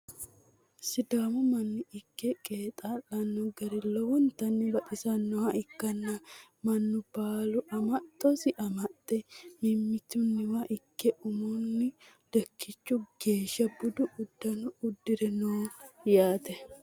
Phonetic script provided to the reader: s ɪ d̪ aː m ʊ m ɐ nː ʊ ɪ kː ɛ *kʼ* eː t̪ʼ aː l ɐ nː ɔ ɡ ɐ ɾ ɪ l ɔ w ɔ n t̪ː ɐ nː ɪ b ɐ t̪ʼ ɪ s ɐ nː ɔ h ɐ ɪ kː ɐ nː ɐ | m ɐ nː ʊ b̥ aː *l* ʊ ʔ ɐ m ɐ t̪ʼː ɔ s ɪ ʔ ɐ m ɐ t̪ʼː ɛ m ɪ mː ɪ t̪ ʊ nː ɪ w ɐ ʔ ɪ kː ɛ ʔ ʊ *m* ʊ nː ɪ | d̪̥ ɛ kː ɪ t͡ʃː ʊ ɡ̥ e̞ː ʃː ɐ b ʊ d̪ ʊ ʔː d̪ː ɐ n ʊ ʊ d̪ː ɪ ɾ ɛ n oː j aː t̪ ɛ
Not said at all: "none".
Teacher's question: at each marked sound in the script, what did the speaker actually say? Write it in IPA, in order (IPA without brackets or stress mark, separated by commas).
kʼ, l, m